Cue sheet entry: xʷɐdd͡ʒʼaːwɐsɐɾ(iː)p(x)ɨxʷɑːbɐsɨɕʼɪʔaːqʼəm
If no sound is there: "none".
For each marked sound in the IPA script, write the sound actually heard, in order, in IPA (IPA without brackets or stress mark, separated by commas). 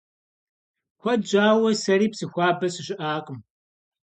iː, s